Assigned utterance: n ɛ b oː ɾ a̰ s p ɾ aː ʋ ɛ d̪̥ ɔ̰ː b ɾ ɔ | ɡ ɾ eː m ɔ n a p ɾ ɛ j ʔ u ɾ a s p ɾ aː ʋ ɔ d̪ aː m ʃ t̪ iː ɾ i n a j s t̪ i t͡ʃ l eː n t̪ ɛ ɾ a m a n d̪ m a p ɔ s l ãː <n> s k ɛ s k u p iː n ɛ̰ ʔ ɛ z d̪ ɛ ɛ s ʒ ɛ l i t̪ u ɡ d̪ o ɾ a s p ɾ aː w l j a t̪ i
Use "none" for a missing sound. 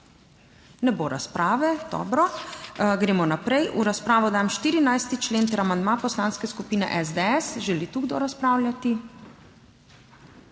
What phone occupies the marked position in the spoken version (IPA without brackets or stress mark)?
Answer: n